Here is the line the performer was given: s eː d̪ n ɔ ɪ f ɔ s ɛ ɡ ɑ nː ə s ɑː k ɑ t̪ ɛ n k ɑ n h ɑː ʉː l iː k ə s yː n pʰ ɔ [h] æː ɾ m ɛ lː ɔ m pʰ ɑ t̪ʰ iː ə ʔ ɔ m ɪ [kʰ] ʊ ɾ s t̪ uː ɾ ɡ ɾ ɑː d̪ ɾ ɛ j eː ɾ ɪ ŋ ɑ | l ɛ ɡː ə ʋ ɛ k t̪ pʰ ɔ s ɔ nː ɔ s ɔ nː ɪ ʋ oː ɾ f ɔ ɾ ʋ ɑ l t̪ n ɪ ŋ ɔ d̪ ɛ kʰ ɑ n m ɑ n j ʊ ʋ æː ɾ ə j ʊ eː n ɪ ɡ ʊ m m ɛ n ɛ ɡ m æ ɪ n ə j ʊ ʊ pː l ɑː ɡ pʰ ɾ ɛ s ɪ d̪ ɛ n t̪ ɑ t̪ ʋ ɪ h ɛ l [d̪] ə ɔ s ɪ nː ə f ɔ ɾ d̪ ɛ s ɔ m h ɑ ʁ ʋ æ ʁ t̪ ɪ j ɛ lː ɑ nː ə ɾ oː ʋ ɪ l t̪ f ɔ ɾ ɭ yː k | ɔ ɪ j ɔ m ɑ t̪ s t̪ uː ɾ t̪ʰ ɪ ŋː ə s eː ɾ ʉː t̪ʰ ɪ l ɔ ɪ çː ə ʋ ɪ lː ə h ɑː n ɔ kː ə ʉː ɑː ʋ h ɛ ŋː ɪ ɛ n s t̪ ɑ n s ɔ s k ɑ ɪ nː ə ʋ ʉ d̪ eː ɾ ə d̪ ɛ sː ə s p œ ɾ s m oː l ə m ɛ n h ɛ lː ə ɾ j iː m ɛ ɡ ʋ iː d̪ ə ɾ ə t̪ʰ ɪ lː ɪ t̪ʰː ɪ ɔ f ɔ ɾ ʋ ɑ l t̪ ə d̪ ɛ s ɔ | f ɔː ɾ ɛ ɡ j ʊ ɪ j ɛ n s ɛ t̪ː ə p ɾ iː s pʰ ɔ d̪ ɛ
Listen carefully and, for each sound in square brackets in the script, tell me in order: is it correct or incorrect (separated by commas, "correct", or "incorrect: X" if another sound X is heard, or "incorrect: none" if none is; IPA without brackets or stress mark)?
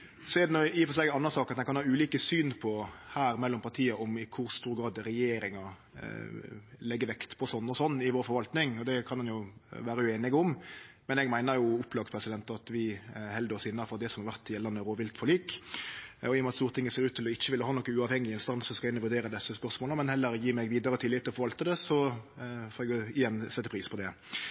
correct, correct, correct